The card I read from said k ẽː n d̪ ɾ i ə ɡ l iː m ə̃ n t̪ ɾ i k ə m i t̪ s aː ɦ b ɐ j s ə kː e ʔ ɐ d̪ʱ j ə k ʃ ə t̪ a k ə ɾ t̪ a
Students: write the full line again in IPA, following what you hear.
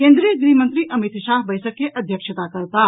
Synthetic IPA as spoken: k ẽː n d̪ ɾ i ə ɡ ɾ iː m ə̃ n t̪ ɾ i ʔ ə m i t̪ ʃ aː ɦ b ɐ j s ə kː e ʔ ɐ d̪ʱ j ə k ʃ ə t̪ a k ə ɾ t̪ a